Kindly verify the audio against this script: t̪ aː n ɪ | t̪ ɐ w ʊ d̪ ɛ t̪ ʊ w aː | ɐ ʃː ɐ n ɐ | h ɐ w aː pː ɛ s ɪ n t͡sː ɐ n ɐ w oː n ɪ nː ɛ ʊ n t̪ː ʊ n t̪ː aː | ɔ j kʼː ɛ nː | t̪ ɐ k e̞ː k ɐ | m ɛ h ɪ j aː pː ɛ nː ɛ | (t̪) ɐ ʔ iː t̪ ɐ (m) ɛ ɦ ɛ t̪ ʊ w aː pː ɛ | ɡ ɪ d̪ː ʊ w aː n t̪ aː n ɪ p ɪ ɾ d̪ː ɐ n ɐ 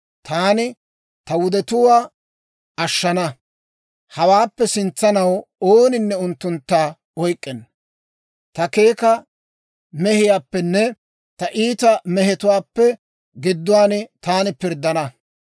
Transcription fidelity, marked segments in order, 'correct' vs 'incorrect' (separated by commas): correct, correct